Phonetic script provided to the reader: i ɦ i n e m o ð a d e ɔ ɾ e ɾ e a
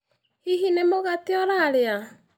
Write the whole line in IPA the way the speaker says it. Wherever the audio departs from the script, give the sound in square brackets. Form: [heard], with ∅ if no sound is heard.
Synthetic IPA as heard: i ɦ i n e m o [ɣ] a [t] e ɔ ɾ [a] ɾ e a